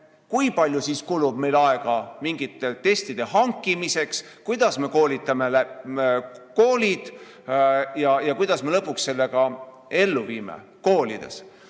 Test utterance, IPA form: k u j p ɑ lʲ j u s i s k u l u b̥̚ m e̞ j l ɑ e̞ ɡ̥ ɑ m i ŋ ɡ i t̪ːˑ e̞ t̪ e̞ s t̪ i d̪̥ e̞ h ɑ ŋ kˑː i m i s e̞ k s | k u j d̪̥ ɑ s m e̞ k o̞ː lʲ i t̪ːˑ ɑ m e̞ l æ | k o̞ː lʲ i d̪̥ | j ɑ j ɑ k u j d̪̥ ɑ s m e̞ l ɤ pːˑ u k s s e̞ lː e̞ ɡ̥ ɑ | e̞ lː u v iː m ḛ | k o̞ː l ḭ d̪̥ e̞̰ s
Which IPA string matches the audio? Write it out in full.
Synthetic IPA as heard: k u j p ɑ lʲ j u s i s k u l u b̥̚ m e̞ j l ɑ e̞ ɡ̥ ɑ m i ŋ ɡ i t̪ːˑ e̞ t̪ e̞ s t̪ i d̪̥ e̞ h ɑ ŋ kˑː i m i s e̞ k s | k u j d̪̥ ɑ s m e̞ k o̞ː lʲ i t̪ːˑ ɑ m e̞ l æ | k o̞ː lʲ i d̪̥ | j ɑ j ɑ k u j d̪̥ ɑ s m e̞ l ɤ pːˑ u k s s e̞ lː e̞ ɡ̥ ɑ | e̞ lː u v iː m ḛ | k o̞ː l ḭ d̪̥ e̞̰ s